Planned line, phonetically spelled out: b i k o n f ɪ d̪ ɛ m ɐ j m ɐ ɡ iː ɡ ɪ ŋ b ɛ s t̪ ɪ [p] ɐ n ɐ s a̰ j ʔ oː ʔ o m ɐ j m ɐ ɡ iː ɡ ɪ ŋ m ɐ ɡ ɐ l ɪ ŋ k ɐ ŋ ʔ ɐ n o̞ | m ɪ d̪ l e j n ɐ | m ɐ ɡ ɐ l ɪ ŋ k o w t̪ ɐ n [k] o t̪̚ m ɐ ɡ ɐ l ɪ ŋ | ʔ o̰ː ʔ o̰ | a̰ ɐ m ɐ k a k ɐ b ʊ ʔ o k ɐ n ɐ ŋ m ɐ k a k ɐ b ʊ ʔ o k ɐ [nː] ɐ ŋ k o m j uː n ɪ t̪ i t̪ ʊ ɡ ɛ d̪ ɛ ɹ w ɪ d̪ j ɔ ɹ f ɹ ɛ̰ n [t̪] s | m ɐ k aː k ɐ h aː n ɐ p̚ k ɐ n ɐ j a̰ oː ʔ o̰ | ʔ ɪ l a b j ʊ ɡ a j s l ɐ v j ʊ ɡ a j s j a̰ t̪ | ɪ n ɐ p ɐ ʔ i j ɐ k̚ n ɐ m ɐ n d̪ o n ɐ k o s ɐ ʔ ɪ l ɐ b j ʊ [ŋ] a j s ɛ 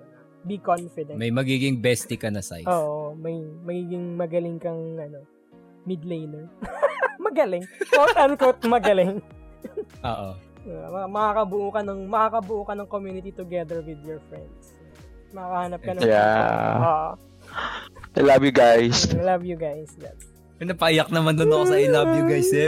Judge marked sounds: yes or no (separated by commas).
no, yes, no, no, no